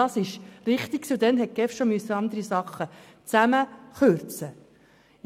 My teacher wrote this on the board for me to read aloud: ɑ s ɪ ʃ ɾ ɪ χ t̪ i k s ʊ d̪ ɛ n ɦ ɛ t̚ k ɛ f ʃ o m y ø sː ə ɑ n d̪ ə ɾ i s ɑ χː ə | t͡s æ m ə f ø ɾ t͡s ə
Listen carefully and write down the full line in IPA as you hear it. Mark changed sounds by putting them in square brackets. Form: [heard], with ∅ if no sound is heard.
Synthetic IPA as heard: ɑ s ɪ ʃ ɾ ɪ χ t̪ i k s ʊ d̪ ɛ n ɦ ɛ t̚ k ɛ f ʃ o m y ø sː ə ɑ n d̪ ə ɾ i s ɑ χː ə | t͡s æ m ə [χ] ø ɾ t͡s ə